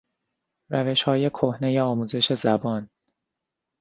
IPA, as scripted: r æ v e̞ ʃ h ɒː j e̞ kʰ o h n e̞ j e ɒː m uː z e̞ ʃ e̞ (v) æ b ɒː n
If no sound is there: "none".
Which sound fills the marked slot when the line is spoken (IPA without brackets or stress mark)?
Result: z